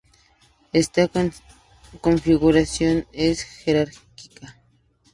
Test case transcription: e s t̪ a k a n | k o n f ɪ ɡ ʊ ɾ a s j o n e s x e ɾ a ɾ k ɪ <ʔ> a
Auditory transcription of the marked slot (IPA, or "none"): k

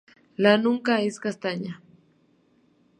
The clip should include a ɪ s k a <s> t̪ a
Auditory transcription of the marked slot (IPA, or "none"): s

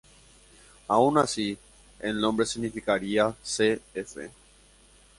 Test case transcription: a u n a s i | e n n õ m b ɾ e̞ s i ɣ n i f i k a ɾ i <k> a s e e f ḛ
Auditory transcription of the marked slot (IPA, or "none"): none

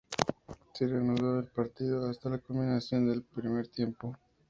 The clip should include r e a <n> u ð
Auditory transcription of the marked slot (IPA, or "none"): n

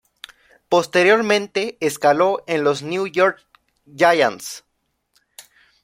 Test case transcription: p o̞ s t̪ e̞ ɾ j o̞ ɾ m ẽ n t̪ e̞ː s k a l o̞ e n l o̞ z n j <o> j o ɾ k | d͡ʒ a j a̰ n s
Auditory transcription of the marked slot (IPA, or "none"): u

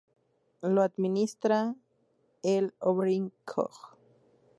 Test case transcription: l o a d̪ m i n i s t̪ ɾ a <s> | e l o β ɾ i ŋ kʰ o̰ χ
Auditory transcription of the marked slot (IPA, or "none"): none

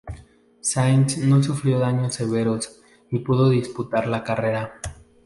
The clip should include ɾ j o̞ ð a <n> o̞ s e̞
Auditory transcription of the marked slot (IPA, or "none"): ɲ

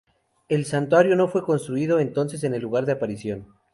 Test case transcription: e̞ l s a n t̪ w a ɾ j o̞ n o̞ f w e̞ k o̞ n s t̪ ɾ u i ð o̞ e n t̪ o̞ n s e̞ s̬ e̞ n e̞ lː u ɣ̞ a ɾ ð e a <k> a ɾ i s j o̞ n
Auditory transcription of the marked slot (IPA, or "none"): p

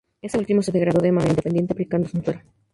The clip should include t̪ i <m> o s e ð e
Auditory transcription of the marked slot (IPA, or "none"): m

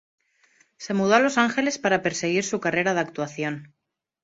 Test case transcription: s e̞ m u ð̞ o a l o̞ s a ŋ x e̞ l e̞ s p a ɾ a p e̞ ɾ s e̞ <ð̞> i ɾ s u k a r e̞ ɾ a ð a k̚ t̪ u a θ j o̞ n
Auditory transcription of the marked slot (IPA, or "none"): ɣ̞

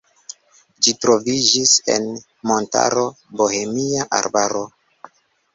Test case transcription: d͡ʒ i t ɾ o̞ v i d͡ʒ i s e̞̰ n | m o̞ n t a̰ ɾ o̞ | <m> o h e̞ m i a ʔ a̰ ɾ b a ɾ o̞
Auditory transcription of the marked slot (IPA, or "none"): b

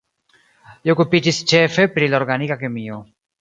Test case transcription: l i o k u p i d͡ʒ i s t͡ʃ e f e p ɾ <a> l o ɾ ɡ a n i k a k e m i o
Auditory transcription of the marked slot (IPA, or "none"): i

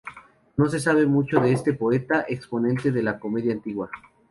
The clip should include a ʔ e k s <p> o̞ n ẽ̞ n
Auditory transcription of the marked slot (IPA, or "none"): p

